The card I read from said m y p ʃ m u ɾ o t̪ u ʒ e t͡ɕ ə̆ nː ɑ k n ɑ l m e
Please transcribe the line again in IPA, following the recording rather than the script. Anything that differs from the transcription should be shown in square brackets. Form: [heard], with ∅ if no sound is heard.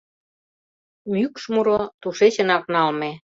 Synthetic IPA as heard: m y [k] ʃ m u ɾ o t̪ u [ʃ] e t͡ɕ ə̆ [n] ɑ k n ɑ l m e

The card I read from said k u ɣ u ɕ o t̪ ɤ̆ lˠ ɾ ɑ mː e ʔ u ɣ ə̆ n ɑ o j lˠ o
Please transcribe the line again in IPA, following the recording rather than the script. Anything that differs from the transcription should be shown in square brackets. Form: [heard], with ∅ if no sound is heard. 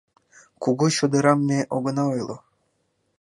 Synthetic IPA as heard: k u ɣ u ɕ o [d̪] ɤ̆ [∅] ɾ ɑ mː e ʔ [o] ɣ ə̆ n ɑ o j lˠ o

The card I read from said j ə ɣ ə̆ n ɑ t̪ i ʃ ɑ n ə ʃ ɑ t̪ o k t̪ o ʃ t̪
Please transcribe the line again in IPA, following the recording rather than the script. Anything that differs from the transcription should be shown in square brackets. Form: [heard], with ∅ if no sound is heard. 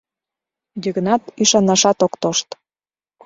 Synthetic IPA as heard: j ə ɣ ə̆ n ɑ t̪ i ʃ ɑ n [ɑ] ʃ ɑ t̪ o k t̪ o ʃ t̪

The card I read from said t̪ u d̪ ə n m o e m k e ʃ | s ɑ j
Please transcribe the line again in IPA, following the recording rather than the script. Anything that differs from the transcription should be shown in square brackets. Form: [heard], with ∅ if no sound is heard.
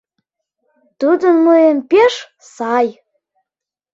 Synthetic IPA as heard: t̪ u d̪ ə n m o e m [p] e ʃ | s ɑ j

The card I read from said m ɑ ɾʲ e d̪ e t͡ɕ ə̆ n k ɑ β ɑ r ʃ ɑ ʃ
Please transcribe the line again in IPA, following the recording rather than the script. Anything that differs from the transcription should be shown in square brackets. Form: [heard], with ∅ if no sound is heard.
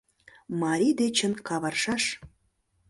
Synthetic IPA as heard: m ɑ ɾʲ [i] d̪ e t͡ɕ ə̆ n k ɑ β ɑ r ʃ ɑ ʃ

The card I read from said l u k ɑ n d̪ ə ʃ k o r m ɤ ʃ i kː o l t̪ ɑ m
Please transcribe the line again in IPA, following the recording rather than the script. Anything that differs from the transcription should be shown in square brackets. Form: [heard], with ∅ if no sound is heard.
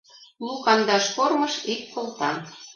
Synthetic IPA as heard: l u k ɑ n d̪ [ɑ] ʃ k o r m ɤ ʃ i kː o l t̪ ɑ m

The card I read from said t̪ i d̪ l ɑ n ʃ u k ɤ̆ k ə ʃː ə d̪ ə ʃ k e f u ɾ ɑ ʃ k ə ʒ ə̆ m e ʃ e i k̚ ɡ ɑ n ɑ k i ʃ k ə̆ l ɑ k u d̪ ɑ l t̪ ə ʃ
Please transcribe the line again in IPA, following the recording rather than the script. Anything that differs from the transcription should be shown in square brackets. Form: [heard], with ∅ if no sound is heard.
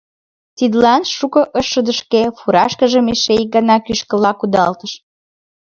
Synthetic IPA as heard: t̪ i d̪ l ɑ n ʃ u k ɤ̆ [ʔ] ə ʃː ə d̪ ə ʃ k e f u ɾ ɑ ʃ k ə ʒ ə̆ m e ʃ e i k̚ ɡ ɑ n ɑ k [y] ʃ k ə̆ l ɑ k u d̪ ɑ l t̪ ə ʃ

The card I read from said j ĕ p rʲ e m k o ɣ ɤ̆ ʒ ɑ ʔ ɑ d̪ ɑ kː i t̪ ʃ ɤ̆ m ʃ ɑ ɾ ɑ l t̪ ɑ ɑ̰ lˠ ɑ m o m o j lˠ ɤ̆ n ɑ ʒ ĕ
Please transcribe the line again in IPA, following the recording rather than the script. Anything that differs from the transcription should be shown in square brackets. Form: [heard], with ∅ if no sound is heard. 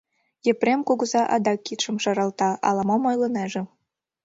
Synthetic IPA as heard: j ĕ p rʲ e m k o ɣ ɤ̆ [z] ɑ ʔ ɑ d̪ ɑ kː i t̪ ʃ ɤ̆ m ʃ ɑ ɾ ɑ l t̪ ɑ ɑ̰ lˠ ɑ m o m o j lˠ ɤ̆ n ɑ ʒ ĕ

